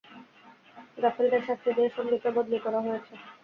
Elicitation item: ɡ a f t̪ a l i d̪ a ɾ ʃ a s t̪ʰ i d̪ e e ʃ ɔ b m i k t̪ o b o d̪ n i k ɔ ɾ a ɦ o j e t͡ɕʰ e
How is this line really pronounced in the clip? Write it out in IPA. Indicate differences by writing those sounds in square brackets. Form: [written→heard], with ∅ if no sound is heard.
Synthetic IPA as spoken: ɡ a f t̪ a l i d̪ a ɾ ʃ a s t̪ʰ i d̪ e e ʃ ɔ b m i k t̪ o b o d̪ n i k ɔ ɾ a ɦ o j e t͡ɕʰ e